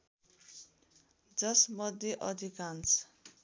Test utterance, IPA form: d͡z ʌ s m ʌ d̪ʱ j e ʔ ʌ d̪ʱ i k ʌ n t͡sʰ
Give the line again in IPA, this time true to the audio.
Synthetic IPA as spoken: d͡z ʌ s m ʌ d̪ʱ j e ʔ ʌ d̪ʱ i k a n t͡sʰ